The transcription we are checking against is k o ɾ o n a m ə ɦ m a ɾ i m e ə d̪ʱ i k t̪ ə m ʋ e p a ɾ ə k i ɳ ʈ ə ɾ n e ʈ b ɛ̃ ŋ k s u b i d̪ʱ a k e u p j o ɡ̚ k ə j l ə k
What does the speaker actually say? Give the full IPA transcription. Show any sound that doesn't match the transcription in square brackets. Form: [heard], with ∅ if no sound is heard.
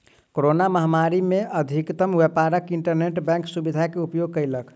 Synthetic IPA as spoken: k o ɾ o n a m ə ɦ m a ɾ i m e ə d̪ʱ i k t̪ ə m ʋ e p a ɾ ə k i ɳ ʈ ə ɾ n e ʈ b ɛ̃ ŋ k s u b i d̪ʱ a k e u p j o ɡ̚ k ə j l ə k